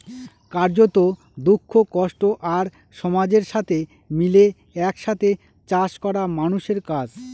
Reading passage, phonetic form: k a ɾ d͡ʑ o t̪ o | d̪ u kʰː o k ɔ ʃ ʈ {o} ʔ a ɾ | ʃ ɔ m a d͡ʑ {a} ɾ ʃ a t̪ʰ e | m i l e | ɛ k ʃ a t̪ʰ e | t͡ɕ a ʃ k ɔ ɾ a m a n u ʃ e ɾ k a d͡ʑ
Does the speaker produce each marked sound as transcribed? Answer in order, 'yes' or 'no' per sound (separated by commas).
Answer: yes, no